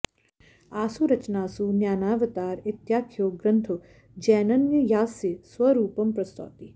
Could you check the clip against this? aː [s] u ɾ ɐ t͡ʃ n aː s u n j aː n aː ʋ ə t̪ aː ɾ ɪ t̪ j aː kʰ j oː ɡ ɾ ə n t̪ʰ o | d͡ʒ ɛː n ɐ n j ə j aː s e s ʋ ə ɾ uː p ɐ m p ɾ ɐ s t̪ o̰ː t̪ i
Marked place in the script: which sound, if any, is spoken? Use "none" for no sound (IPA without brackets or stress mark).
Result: s